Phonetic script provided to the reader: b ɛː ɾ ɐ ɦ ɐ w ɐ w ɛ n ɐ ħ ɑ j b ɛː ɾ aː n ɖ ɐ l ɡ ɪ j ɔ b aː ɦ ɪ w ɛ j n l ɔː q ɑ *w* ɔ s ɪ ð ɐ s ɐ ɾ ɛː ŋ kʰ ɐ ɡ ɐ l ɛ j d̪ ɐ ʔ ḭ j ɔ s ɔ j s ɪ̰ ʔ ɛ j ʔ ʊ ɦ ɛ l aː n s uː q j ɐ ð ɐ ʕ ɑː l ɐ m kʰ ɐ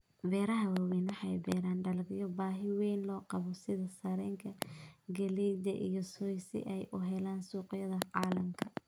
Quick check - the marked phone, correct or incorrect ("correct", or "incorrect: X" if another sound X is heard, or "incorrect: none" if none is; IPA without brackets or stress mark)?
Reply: incorrect: β